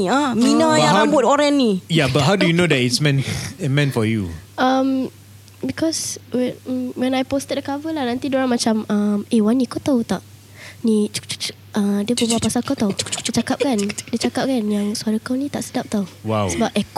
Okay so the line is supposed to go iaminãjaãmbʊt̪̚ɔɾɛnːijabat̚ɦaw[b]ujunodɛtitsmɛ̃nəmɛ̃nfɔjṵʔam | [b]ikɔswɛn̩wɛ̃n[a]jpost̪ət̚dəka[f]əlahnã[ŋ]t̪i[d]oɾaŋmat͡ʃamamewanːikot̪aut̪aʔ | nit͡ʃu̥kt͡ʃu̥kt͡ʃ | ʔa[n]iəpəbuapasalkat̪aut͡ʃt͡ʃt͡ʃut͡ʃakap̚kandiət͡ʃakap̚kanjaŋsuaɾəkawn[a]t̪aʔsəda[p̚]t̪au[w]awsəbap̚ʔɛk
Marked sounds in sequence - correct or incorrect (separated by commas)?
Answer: incorrect, correct, correct, incorrect, incorrect, correct, incorrect, incorrect, correct, correct